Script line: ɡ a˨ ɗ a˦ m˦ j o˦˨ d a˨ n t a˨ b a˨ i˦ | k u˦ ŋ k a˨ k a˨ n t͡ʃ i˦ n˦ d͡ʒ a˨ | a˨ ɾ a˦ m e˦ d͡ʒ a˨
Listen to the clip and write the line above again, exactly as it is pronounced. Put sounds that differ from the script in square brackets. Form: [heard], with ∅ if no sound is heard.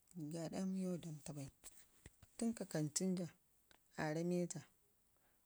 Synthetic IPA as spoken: ɡ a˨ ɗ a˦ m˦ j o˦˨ d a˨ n t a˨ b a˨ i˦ | [t] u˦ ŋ k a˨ k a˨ n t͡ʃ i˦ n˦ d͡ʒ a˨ | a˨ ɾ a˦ m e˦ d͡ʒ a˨

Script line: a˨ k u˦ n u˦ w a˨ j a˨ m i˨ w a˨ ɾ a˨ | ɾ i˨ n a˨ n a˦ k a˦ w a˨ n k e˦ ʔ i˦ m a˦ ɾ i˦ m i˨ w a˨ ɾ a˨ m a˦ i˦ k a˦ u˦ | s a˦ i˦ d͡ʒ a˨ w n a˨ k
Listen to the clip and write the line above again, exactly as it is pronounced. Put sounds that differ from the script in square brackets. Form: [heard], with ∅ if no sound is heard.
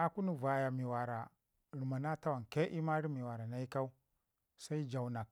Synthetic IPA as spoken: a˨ k u˦ n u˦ [v] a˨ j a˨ m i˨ w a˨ ɾ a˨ | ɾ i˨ [m] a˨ n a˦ [t] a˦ w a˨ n k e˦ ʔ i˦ m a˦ ɾ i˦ m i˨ w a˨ ɾ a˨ [n] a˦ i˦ k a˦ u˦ | s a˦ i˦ d͡ʒ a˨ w n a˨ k

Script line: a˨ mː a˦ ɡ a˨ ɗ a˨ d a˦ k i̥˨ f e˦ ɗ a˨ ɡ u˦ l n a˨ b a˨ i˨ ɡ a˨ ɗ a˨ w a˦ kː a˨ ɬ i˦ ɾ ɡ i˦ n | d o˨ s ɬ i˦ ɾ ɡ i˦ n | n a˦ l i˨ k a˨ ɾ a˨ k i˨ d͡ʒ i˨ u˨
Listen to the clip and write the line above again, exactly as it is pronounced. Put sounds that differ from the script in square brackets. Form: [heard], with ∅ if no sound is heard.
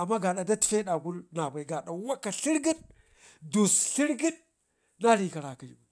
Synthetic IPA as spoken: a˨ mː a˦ ɡ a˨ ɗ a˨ d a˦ [t] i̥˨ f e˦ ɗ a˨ ɡ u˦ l n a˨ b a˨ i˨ ɡ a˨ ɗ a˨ w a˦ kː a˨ ɬ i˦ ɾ ɡ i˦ n | d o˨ s ɬ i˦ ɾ ɡ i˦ n | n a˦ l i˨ k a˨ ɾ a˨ k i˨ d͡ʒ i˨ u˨

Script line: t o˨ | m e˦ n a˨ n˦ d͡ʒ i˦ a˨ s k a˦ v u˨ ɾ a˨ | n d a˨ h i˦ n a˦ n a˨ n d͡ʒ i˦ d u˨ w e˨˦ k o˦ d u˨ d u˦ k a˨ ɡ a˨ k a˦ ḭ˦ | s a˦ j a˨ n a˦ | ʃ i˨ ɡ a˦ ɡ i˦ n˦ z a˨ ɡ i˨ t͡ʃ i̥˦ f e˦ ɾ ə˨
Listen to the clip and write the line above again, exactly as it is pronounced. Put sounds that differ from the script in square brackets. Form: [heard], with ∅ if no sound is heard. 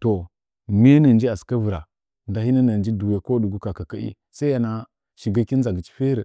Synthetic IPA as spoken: t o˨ | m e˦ n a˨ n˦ d͡ʒ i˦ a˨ s k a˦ v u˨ ɾ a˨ | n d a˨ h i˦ n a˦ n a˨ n d͡ʒ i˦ d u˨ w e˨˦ k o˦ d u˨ [ɡ] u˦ k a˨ [k] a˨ k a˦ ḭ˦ | s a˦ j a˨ n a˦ | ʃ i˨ ɡ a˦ [k] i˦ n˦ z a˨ ɡ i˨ t͡ʃ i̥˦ f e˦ ɾ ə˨

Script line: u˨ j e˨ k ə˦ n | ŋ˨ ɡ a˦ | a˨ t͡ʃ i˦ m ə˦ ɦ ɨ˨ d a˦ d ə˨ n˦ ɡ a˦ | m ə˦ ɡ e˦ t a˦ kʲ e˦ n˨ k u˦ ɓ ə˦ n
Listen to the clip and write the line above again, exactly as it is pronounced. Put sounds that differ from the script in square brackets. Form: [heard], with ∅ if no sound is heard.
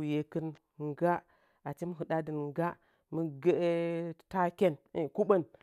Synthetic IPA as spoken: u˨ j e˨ k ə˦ n | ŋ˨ ɡ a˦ | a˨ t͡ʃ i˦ m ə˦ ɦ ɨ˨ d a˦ d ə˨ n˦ ɡ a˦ | m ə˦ ɡ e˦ t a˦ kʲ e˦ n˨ k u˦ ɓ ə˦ n

